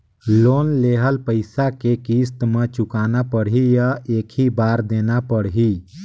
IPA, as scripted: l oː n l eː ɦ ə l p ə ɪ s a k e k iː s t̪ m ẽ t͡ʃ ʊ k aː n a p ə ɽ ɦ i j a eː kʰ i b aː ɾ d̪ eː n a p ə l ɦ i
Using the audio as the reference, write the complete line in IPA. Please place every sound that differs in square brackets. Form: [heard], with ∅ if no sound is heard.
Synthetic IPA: l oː n l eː ɦ ə l p ə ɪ s a k e k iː s t̪ m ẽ t͡ʃ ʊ k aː n a p ə ɽ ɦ i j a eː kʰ i b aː ɾ d̪ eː n a p ə [ɽ] ɦ i